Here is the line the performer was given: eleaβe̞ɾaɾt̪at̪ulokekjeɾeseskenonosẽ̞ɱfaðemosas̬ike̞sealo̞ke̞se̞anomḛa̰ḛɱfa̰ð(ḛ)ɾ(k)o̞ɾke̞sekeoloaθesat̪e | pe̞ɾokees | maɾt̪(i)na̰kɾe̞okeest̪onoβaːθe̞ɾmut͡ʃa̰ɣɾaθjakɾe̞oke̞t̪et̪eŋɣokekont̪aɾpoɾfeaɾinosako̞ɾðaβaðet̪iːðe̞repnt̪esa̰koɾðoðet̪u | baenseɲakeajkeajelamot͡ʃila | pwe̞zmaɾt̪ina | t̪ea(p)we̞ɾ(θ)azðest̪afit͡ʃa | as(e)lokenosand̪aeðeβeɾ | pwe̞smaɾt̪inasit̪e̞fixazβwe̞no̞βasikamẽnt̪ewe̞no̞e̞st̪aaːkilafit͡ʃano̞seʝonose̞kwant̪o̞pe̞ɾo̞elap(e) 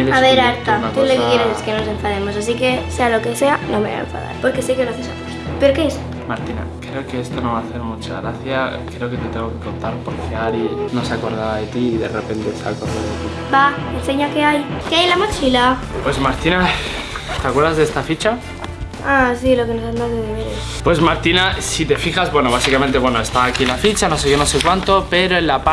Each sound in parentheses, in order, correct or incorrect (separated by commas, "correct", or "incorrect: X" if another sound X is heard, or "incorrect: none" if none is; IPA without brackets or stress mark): incorrect: a̰, incorrect: p, correct, incorrect: k, incorrect: ð, incorrect: i, incorrect: a